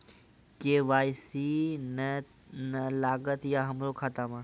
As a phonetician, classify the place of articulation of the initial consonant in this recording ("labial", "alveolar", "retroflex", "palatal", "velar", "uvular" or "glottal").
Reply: velar